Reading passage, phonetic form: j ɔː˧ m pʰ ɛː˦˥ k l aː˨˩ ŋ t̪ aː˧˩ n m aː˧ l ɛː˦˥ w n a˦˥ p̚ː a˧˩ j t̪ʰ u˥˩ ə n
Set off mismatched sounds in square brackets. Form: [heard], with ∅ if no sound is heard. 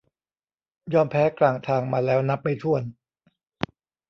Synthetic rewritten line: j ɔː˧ m pʰ ɛː˦˥ k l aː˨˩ ŋ [t̪ʰ] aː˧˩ [ŋ] m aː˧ l ɛː˦˥ w n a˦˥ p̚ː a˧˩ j t̪ʰ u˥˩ ə n